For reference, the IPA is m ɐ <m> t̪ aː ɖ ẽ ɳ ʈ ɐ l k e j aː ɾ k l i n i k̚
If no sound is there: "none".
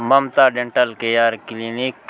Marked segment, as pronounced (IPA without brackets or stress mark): m